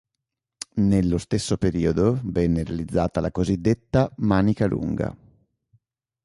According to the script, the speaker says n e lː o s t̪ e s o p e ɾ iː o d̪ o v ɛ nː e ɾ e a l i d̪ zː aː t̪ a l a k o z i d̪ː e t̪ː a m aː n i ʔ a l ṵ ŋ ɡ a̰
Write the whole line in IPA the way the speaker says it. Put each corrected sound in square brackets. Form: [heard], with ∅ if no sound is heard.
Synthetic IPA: n e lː o s t̪ e [sː] o p e ɾ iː o d̪ o v ɛ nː e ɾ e a l i d̪ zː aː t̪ a l a k o z i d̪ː e t̪ː a m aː n i [k] a l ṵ ŋ ɡ a̰